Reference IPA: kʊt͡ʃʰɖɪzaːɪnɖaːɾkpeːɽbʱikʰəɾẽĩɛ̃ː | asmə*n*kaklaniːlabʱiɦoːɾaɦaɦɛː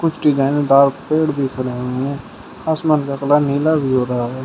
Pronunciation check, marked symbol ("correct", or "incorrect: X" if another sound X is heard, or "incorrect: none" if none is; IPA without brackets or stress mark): correct